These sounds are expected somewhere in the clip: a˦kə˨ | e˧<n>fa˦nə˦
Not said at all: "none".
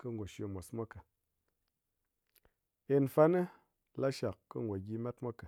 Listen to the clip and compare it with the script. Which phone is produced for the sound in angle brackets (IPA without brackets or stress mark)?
n